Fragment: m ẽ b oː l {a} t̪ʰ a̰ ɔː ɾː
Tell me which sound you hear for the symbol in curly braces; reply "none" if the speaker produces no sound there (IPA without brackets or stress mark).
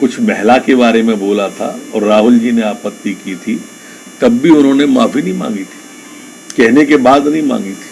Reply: a